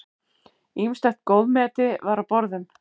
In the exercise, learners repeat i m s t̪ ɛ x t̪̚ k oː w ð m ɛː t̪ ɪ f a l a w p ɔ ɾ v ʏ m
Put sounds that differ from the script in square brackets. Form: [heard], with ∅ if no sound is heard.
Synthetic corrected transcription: i m s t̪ ɛ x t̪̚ k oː w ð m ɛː t̪ ɪ [v] a [ɾ] a w p ɔ ɾ [ð] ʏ m